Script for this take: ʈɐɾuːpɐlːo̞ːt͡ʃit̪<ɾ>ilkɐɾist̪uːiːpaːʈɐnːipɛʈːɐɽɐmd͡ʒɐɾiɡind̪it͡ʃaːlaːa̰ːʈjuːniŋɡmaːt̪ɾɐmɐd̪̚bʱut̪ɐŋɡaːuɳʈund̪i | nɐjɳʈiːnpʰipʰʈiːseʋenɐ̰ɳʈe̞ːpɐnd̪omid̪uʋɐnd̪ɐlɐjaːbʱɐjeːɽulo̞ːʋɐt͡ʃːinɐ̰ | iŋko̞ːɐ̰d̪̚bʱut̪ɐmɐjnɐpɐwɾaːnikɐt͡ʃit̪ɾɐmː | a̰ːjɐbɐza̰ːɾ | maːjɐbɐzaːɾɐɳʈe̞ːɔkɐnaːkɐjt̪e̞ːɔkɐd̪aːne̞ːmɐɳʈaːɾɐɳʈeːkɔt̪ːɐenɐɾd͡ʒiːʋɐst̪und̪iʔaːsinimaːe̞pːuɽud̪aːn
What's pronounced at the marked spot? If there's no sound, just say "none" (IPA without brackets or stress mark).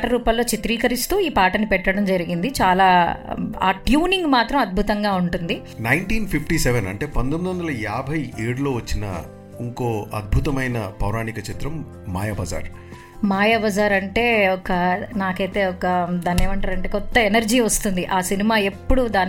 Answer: ɾ